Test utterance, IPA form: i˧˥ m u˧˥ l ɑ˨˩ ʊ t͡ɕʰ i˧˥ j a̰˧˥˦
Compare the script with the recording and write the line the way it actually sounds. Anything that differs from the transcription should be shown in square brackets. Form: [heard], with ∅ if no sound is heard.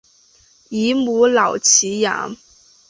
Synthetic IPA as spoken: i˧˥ m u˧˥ l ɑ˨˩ ʊ t͡ɕʰ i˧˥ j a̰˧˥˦